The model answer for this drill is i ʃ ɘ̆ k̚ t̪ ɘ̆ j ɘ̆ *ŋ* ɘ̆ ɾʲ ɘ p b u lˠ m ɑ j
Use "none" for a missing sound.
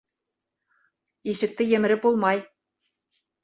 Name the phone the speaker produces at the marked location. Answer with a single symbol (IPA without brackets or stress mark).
m